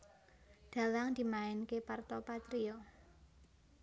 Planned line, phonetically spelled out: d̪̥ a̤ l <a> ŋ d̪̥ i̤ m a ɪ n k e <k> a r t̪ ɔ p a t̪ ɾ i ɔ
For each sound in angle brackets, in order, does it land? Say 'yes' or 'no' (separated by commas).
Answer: yes, no